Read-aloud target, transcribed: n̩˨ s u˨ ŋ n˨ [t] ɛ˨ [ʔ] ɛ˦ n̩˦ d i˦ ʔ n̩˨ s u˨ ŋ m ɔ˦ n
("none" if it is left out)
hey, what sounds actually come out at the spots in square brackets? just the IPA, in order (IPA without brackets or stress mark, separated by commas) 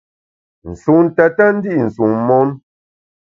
t, t